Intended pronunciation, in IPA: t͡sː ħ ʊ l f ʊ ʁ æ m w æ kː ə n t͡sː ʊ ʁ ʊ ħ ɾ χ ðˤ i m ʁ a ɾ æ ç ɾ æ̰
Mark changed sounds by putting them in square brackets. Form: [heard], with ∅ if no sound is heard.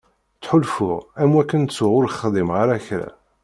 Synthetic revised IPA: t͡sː ħ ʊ l f ʊ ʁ æ m w æ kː ə n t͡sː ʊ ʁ ʊ [∅] ɾ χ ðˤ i m ʁ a ɾ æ ç ɾ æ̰